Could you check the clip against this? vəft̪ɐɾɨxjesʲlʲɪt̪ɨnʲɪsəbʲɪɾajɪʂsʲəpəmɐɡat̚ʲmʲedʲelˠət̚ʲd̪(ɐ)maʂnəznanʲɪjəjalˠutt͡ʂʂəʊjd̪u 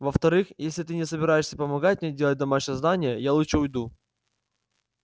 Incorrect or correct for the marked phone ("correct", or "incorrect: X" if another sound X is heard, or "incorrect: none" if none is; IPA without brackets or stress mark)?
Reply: correct